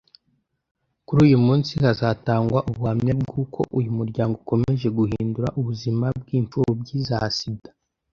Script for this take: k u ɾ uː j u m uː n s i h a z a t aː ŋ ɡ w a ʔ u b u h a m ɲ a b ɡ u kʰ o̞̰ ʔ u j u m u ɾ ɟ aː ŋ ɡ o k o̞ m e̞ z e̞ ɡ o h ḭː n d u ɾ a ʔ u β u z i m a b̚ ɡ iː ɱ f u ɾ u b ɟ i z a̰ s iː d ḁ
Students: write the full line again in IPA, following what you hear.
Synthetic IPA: k u ɾ uː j u m uː n s i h a z a t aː ŋ ɡ w a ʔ u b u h a m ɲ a b ɡ u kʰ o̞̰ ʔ u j u m u ɾ ɟ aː ŋ ɡ o k o̞ m e̞ ʒ e̞ ɡ u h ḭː n d u ɾ a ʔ u β u z i m a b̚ ɡ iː ɱ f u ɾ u b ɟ i z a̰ s i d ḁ